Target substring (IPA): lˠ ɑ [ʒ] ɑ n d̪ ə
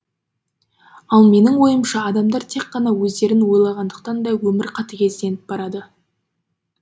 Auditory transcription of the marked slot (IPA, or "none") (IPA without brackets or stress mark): ʁ